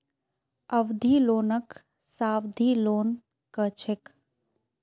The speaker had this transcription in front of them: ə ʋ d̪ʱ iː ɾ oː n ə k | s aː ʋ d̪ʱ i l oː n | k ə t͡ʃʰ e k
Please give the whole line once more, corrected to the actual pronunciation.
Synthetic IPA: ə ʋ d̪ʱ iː l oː n ə k | s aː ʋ d̪ʱ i l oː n | k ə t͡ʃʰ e k